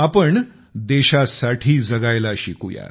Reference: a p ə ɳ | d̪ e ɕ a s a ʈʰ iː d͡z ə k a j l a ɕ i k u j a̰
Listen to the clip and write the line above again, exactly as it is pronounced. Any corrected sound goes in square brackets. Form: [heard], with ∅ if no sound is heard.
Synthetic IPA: a p ə ɳ | d̪ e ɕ a s a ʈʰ iː d͡z ə [ɡ] a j l a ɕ i k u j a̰

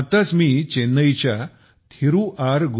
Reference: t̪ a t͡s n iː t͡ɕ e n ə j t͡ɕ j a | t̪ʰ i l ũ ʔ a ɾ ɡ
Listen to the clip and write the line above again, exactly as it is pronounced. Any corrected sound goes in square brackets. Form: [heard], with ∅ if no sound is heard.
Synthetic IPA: t̪ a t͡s [m] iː t͡ɕ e n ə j t͡ɕ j a | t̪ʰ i [ɾ] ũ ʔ a ɾ ɡ

